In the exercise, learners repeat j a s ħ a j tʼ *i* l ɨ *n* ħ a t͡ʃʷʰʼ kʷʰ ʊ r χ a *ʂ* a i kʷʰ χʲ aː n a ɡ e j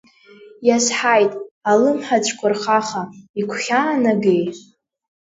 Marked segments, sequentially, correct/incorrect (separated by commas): incorrect, incorrect, incorrect